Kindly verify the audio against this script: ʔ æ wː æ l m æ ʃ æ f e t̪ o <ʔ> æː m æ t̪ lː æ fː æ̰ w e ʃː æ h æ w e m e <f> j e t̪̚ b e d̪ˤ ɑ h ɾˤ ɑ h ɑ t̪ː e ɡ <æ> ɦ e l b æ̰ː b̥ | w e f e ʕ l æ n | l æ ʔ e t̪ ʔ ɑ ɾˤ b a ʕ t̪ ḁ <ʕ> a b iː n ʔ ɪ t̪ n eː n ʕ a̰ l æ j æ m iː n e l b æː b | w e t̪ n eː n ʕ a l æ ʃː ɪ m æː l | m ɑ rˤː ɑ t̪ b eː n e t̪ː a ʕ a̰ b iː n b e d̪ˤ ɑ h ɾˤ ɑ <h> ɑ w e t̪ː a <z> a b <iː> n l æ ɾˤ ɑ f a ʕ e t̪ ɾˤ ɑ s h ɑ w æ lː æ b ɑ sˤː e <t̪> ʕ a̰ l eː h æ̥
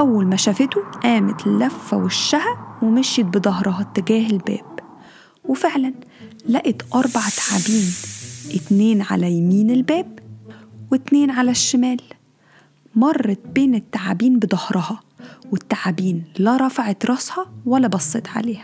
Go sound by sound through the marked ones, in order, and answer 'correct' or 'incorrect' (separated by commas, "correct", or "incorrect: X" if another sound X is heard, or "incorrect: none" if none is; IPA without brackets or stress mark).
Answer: correct, incorrect: ʃ, incorrect: æː, correct, correct, incorrect: ʕ, correct, correct